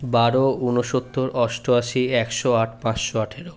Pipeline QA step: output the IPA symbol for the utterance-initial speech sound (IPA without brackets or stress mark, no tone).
b